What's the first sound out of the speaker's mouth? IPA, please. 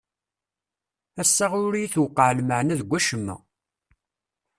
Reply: æ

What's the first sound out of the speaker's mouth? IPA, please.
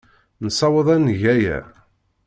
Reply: n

